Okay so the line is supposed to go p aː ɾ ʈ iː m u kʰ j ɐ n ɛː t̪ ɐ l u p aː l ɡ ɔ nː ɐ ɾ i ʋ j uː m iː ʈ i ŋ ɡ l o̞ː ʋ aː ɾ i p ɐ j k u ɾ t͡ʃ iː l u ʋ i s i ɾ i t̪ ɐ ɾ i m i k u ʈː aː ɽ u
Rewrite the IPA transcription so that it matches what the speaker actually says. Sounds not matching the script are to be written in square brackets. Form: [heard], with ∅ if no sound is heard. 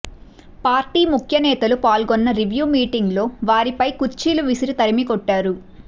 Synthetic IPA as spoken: p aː ɾ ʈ iː m u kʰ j ɐ n ɛː t̪ ɐ l u p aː l ɡ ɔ nː ɐ ɾ i ʋ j uː m iː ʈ i ŋ ɡ l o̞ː ʋ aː ɾ i p ɐ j k u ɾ t͡ʃ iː l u ʋ i s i ɾ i t̪ ɐ ɾ i m i k [ɔ] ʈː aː [ɾ] u